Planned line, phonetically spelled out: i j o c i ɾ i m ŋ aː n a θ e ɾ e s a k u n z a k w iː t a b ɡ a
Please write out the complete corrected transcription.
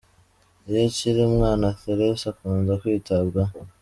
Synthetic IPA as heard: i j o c i ɾ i m ŋ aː n a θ e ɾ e s a k u n z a k w iː t a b ɡ a